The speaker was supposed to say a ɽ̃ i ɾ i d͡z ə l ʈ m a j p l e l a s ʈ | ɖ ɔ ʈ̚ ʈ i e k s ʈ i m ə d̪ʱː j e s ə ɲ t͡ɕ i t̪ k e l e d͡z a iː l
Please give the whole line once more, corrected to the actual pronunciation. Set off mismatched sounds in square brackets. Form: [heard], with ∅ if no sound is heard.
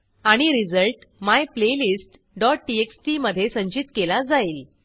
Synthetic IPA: a ɽ̃ i ɾ i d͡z ə l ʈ m a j p l e l [i] s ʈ | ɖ ɔ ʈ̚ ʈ i e k s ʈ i m ə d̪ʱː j e s ə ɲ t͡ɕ i t̪ k e l [a] d͡z a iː l